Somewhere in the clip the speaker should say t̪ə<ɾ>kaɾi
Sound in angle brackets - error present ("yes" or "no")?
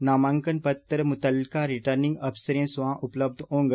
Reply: yes